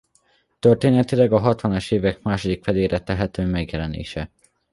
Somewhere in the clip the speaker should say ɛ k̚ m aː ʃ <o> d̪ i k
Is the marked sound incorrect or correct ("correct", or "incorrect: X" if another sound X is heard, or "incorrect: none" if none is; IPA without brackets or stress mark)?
correct